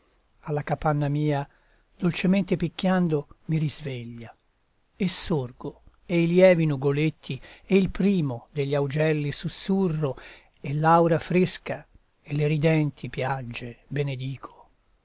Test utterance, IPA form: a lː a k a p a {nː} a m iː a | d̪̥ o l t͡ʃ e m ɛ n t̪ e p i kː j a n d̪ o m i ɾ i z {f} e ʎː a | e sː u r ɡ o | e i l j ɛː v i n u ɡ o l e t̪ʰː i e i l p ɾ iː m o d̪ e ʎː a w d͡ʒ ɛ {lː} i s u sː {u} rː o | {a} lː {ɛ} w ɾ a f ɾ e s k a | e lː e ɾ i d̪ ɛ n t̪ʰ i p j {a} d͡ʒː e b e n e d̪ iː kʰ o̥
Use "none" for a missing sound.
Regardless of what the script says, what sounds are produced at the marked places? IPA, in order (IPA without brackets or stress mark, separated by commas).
nː, v, lː, u, e, a, a